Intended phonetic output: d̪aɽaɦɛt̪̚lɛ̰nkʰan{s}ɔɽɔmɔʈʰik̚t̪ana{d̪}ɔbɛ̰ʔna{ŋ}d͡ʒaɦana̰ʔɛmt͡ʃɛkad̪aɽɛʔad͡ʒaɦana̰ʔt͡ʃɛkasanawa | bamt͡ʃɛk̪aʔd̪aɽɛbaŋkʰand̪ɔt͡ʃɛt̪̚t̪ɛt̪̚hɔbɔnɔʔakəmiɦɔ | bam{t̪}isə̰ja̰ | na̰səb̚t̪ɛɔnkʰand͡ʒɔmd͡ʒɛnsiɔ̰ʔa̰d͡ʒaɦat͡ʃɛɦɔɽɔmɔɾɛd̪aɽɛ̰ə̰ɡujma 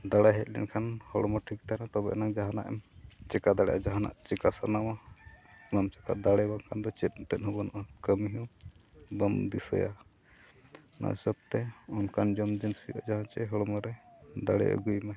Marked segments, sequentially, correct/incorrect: incorrect: h, incorrect: t̪, correct, incorrect: d̪

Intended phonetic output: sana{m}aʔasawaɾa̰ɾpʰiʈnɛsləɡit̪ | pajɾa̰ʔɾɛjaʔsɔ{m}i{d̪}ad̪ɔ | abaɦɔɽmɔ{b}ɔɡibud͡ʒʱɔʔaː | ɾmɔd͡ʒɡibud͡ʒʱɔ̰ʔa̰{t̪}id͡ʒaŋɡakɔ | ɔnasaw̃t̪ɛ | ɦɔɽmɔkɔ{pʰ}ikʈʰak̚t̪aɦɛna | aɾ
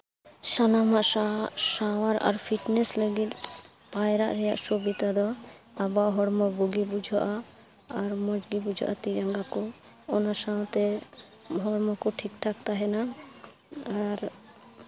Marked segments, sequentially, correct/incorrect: correct, incorrect: b, incorrect: t̪, correct, correct, incorrect: ʈʰ

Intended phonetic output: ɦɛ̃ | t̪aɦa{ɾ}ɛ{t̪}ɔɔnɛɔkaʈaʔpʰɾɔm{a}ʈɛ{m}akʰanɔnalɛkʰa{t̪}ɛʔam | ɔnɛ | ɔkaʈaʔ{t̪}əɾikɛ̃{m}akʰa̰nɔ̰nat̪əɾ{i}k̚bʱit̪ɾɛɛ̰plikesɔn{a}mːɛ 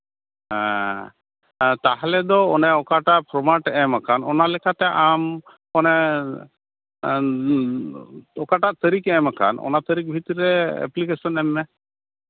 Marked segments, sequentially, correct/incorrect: incorrect: l, incorrect: d̪, correct, correct, correct, correct, correct, correct, incorrect: ɛ

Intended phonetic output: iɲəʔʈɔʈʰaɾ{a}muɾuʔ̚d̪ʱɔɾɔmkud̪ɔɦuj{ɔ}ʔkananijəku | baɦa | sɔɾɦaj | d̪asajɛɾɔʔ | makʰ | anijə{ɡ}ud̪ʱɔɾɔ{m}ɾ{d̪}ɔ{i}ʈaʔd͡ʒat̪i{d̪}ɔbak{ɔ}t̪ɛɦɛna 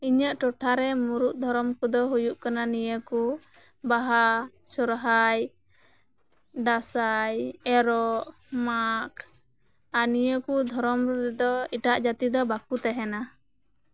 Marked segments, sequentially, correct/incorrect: incorrect: ɛ, incorrect: u, incorrect: k, correct, correct, correct, correct, incorrect: u

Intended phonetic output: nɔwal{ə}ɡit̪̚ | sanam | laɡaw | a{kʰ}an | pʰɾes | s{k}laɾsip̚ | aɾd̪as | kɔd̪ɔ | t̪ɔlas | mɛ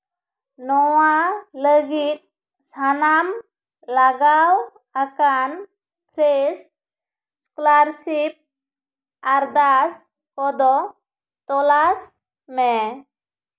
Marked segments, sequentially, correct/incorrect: correct, incorrect: k, correct

